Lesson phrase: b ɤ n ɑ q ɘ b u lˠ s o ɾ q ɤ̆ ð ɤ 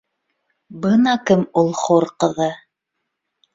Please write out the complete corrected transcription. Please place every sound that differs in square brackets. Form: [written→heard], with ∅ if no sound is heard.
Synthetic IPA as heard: b ɤ n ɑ [q→k] ɘ [b→m] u lˠ [s→χ] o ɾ q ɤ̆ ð ɤ